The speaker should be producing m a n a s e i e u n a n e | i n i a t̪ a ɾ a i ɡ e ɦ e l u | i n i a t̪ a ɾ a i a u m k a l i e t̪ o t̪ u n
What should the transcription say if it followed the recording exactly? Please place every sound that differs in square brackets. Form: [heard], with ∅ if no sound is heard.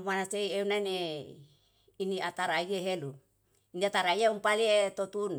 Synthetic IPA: m a n a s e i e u n a n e | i n i a t̪ a ɾ a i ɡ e ɦ e l u | i n i a t̪ a ɾ a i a u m [p] a l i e t̪ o t̪ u n